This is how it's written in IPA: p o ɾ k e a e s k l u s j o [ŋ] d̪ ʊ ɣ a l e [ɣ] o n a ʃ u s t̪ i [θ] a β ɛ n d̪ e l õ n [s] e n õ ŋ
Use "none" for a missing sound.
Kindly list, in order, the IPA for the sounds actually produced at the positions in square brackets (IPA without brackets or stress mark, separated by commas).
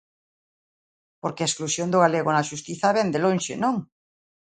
n, ɣ, θ, ʃ